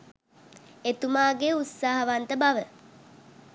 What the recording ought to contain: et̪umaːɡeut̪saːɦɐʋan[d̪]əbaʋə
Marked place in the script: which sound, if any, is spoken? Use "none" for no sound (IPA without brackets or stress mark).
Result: t̪